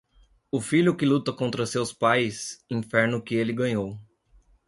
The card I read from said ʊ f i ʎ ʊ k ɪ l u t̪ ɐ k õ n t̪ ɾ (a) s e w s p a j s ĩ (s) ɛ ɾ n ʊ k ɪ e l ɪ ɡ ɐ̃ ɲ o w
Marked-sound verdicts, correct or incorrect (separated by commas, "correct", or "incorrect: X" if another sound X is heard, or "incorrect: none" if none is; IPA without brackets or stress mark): incorrect: ɐ, incorrect: f